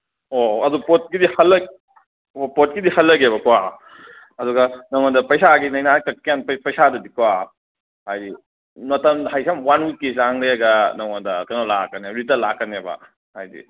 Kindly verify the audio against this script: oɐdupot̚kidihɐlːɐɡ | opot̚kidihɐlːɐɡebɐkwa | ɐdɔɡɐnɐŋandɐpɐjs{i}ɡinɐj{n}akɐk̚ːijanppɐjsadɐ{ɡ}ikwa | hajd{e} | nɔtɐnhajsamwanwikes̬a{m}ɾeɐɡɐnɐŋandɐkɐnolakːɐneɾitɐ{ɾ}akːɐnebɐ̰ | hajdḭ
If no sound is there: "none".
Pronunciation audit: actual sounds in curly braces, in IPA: a, n, d, i, ŋ, l

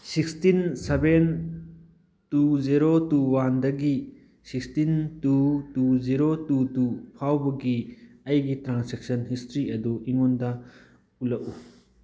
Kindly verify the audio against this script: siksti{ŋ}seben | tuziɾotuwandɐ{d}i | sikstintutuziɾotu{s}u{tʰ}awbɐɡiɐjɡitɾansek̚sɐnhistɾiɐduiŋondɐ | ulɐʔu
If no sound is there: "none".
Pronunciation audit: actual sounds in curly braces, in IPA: n, ɡ, t, pʰ

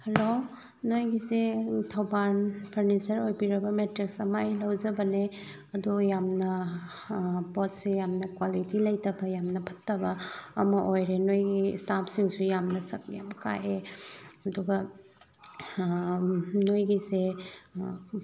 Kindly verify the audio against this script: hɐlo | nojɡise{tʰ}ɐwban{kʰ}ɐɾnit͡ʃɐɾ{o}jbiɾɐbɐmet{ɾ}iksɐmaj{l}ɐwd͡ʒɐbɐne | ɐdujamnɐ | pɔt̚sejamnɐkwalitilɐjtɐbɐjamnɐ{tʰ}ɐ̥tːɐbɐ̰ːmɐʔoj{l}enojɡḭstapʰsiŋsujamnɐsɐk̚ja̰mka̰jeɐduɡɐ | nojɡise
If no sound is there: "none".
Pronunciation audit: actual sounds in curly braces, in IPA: tʰ, pʰ, o, ɾ, l, pʰ, ɾ

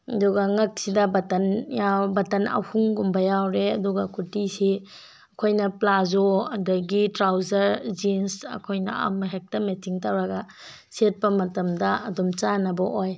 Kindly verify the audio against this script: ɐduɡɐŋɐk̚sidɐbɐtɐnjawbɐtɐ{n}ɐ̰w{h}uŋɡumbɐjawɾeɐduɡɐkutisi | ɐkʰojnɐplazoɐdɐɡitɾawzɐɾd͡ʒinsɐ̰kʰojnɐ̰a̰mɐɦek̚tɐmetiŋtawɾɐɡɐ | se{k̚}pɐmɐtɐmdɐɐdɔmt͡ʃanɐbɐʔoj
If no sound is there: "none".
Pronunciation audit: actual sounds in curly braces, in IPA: n, h, t̚

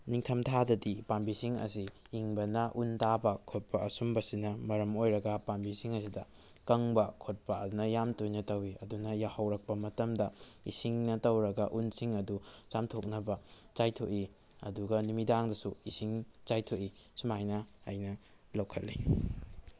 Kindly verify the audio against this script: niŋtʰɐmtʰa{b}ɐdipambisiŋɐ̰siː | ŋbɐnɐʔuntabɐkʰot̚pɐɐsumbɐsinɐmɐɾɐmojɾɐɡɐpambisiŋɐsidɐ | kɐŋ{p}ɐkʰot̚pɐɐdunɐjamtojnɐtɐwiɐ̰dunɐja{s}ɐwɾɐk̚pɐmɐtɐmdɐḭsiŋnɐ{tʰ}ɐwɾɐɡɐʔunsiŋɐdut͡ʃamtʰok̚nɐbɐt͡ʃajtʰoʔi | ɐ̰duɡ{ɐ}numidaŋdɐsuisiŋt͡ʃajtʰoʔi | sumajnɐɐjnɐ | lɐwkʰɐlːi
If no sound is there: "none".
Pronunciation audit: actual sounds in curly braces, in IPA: d, b, h, t, ɐ

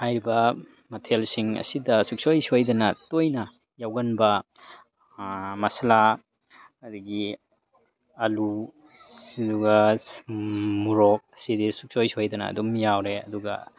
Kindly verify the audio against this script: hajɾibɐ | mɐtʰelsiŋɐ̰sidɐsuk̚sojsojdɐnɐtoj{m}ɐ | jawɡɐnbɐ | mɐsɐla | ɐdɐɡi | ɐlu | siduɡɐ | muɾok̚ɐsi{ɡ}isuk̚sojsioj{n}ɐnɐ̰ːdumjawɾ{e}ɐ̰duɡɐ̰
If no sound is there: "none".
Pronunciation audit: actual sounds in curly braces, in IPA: n, d, d, e

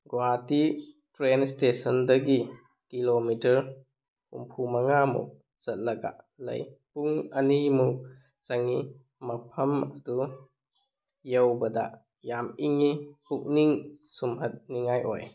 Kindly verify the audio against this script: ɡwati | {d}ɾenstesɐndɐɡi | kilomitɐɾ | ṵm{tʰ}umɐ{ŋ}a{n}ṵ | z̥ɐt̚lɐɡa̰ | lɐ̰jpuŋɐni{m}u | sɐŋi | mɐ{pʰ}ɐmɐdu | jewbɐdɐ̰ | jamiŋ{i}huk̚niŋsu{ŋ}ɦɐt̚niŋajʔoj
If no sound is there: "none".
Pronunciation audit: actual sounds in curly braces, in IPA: t, pʰ, ŋ, m, m, pʰ, i, m

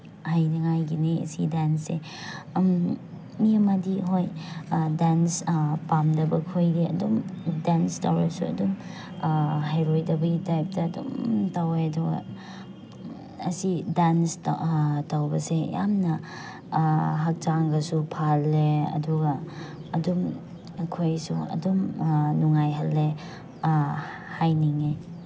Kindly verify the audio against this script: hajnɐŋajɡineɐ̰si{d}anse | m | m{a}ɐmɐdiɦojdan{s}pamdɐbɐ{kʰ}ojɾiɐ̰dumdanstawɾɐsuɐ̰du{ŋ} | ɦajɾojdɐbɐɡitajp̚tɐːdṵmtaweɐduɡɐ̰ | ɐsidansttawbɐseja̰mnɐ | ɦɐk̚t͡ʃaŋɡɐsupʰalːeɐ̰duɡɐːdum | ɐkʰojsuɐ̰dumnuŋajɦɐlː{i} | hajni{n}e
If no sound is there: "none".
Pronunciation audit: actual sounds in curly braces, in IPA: d, i, s, kʰ, m, e, ŋ

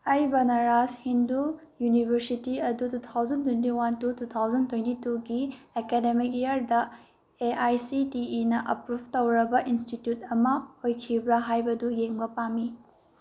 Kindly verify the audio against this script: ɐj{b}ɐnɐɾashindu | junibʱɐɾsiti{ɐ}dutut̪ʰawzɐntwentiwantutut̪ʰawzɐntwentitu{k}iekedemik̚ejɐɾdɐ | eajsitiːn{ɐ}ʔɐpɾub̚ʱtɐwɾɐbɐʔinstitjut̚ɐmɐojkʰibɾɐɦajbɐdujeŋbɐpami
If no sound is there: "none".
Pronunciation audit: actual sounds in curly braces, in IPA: b, ɐ, ɡ, ɐ

